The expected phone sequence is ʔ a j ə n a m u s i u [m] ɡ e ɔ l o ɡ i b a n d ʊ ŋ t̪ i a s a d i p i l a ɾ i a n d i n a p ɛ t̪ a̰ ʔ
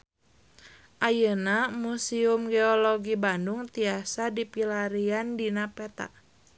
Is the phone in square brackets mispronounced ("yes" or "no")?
no